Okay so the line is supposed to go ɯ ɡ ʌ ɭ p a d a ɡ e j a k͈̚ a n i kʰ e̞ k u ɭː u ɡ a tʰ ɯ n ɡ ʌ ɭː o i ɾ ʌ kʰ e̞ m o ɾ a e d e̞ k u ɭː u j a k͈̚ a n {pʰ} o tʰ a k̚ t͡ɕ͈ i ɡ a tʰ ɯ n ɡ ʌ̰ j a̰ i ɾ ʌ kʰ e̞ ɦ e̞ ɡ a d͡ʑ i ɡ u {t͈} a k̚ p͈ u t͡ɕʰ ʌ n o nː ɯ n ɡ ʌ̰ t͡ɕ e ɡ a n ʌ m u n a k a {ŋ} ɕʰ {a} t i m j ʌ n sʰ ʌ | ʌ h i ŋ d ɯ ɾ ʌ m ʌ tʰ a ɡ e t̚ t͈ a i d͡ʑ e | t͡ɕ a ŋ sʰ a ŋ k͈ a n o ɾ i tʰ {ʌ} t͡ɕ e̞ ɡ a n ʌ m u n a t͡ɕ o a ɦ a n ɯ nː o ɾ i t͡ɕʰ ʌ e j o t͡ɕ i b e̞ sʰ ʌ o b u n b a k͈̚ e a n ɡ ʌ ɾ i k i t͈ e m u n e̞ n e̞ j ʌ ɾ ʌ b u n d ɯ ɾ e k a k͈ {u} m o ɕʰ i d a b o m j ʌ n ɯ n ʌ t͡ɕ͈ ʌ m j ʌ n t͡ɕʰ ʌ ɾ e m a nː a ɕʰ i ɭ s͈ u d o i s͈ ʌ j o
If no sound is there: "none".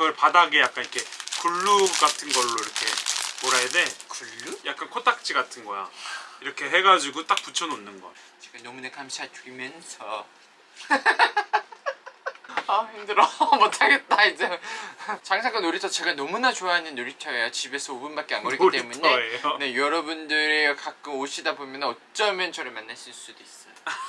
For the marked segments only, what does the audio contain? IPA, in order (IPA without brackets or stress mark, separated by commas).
kʰ, t͈, m, a, ʌ, ɯ